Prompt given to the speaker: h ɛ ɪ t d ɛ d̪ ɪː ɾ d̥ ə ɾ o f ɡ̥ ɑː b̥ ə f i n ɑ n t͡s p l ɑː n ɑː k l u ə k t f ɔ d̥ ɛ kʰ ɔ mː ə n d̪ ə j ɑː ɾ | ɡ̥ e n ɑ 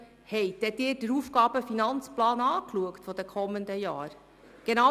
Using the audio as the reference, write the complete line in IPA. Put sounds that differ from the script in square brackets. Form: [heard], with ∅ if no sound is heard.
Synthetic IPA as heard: h ɛ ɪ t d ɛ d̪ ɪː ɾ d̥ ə ɾ [u] f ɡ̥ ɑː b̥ ə f i n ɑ n t͡s p l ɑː n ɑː k l u ə k t f ɔ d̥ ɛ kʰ ɔ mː ə n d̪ ə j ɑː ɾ | ɡ̥ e n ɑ